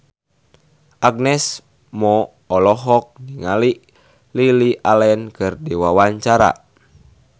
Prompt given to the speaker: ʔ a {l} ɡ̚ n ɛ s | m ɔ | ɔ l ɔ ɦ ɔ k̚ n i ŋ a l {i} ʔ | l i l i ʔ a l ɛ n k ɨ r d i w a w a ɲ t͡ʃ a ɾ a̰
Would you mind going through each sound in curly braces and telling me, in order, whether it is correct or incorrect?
incorrect: none, correct

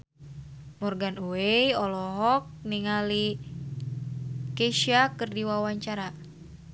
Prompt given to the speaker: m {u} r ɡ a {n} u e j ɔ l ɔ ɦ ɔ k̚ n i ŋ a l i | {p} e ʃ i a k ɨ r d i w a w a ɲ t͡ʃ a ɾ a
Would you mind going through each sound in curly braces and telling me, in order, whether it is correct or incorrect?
incorrect: ɔ, correct, incorrect: k

